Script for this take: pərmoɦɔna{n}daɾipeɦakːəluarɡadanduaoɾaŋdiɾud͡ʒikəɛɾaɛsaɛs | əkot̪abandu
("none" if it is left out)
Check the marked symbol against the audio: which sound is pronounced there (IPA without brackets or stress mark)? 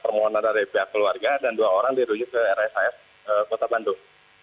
n